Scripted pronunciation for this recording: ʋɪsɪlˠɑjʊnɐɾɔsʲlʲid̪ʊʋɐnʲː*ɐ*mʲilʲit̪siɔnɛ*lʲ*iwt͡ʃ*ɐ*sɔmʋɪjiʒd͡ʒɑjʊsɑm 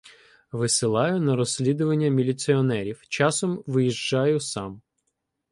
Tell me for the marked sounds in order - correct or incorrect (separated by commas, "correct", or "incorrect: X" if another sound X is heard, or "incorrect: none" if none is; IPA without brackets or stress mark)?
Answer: correct, incorrect: ɾʲ, incorrect: ɑ